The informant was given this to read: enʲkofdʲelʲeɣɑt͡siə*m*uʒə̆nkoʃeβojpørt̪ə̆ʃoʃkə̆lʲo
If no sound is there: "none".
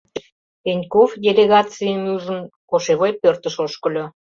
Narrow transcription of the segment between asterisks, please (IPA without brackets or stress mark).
n